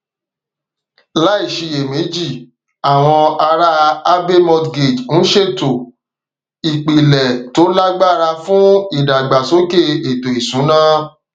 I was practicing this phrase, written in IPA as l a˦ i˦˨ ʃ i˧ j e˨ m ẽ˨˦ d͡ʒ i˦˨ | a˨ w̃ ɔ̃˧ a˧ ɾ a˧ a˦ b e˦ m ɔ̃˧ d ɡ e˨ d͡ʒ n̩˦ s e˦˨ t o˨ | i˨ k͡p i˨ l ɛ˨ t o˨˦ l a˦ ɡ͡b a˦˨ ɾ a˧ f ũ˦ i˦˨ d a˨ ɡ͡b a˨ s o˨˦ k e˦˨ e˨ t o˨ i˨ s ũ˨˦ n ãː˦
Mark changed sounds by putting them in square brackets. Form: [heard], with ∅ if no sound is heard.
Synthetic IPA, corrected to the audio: l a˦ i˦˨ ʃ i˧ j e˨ m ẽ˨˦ d͡ʒ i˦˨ | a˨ w̃ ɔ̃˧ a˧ ɾ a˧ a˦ b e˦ m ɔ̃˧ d ɡ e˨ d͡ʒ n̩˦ [ʃ] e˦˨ t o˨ | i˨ k͡p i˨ l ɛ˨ t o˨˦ l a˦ ɡ͡b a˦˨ ɾ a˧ f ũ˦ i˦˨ d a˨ ɡ͡b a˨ s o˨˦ k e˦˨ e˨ t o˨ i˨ s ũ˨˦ n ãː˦